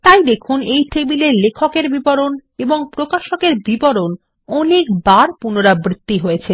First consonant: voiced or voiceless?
voiceless